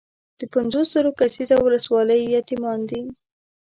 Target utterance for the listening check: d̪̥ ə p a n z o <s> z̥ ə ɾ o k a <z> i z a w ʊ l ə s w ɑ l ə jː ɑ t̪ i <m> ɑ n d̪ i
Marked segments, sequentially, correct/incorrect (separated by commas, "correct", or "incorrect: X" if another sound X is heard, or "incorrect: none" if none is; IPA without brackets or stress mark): correct, incorrect: s, correct